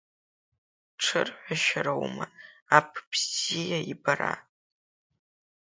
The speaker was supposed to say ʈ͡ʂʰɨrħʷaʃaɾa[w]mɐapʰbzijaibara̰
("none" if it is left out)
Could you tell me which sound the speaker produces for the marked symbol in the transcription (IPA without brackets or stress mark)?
w